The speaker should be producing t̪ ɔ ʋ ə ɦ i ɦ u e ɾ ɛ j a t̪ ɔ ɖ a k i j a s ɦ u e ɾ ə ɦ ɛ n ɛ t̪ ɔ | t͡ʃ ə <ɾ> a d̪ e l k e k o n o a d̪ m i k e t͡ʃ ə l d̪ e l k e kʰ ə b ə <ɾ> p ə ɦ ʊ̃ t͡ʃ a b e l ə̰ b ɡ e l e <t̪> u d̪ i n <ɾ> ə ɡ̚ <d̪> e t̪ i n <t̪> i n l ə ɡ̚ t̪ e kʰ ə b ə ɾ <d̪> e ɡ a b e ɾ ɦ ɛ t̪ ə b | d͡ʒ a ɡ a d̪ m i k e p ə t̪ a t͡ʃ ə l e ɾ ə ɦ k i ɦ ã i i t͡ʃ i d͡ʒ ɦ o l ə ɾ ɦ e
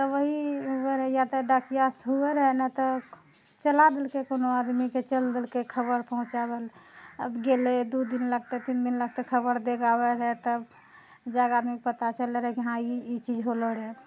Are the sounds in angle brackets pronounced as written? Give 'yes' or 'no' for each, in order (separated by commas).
no, yes, no, no, no, no, yes